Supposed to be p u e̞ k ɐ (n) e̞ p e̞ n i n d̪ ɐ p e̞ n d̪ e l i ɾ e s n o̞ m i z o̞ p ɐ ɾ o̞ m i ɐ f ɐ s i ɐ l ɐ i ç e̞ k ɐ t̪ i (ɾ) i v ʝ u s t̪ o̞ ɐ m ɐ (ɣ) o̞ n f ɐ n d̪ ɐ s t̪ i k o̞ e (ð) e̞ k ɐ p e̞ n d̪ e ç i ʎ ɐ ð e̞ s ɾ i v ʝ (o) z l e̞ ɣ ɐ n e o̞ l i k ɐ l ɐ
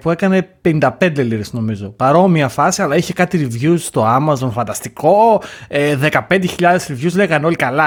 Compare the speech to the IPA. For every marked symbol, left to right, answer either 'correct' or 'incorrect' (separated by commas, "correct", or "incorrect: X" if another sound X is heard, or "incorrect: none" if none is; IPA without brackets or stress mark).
correct, correct, incorrect: z, correct, incorrect: u